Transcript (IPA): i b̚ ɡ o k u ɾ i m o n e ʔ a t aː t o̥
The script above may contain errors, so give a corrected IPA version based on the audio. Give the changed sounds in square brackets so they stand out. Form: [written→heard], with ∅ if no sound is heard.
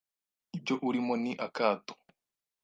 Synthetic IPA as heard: i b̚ [ɡ→ɟ] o [k→ʔ] u ɾ i m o n [e→i] ʔ a [t→k] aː t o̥